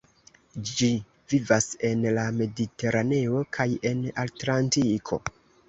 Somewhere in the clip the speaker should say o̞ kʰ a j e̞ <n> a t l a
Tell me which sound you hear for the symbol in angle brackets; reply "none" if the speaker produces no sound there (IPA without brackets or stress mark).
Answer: n